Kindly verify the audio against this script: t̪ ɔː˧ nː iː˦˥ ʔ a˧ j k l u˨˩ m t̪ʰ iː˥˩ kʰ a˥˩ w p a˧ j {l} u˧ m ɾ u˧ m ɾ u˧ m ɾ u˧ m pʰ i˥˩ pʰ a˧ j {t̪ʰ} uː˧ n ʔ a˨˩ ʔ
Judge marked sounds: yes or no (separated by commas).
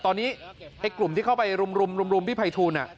no, yes